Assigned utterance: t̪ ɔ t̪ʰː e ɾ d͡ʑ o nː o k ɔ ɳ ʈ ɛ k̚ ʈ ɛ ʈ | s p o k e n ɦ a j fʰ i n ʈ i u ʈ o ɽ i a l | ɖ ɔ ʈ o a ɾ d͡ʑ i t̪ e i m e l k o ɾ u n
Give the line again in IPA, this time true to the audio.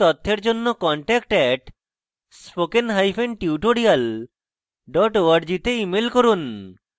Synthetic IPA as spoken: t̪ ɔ t̪ʰː e ɾ d͡ʑ o nː o k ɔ ɳ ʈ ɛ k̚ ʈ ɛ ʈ | s p o k e n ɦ a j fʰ e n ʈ i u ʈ o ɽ i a l | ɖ ɔ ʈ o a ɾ d͡ʑ i t̪ e i m e l k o ɾ u n